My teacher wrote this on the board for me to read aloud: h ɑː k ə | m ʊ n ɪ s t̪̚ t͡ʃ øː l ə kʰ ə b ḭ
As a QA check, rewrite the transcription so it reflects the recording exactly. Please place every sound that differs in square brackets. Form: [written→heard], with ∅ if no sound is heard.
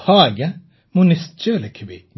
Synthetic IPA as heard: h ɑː [k→ɡ] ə | m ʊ n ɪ s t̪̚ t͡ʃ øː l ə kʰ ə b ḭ